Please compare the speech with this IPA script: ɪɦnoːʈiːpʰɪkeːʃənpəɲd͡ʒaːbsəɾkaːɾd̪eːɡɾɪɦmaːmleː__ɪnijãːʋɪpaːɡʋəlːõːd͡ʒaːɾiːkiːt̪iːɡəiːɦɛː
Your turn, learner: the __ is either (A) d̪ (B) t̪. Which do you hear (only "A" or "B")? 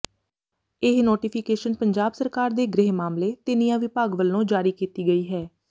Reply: B